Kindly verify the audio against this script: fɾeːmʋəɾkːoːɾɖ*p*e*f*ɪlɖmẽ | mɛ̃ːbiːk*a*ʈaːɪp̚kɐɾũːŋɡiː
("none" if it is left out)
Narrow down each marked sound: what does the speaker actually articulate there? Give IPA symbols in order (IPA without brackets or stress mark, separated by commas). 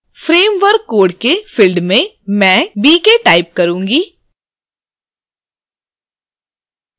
k, f, e